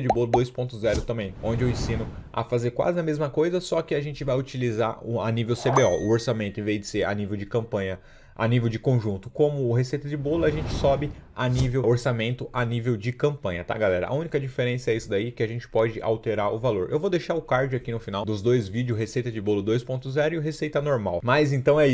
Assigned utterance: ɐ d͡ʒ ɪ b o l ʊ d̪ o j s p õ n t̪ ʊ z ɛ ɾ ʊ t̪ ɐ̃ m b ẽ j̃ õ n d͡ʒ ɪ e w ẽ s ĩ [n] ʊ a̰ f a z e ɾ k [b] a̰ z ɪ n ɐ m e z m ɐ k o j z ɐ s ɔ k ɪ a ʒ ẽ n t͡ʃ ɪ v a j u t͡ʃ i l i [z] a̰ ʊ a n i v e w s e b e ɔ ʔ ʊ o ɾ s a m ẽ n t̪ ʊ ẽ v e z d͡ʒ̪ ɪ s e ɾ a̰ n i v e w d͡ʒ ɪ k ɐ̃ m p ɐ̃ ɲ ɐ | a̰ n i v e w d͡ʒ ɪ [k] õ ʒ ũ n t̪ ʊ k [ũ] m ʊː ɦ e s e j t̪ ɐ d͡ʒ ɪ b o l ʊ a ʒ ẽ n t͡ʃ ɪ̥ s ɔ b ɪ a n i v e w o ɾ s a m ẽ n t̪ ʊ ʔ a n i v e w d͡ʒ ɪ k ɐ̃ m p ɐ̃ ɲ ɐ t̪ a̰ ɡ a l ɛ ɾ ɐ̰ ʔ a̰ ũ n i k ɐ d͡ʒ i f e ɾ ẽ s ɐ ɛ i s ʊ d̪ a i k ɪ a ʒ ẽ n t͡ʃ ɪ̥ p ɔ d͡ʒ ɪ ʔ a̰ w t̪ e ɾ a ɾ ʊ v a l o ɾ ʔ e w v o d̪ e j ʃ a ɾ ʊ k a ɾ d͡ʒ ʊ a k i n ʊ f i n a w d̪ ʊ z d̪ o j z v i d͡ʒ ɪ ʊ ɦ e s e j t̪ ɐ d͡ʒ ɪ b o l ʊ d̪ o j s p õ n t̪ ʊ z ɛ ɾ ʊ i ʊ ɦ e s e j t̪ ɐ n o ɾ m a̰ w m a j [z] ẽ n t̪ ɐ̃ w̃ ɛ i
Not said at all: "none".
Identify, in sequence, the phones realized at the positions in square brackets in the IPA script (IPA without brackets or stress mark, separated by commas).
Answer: n, w, z, k, õ, z